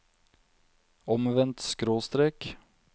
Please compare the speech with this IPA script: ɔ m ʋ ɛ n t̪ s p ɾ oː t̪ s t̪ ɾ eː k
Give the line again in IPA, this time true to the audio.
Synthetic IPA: ɔ m ʋ ɛ n t̪ s k ɾ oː s t̪ ɾ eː k